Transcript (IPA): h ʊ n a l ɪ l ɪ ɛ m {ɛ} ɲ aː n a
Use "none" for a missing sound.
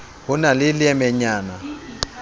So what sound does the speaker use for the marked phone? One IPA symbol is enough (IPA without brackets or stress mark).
ɛ